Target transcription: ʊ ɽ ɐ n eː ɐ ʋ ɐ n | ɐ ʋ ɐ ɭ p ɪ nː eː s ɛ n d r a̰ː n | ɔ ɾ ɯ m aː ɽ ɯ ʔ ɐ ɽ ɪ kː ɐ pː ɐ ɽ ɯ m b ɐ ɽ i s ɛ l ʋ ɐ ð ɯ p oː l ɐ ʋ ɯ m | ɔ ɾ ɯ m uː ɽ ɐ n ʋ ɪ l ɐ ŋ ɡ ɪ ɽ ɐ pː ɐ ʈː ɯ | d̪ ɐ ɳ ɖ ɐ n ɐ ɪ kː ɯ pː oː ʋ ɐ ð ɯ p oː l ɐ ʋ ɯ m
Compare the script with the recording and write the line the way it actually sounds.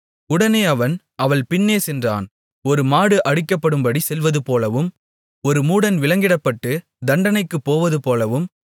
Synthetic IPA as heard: ʊ ɽ ɐ n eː ɐ ʋ ɐ n | ɐ ʋ ɐ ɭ p ɪ nː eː s ɛ n d r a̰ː n | ɔ ɾ ɯ m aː ɽ ɯ ʔ ɐ ɽ ɪ kː ɐ pː ɐ ɽ ɯ m b ɐ ɽ i s ɛ l ʋ ɐ ð ɯ p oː l ɐ ʋ ɯ m | ɔ ɾ ɯ m uː ɽ ɐ n ʋ ɪ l ɐ ŋ ɡ ɪ ɽ ɐ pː ɐ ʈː ɯ | d̪ ɐ ɳ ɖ ɐ n ɐ ɪ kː ɯ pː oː ʋ ɐ ð ɯ p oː l ɐ ʋ ɯ m